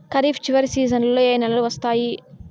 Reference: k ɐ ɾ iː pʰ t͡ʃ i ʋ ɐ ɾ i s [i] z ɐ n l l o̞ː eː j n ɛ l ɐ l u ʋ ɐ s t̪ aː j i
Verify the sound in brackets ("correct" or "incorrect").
incorrect